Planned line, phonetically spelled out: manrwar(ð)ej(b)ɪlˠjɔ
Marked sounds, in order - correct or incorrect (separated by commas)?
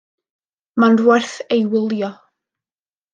incorrect, incorrect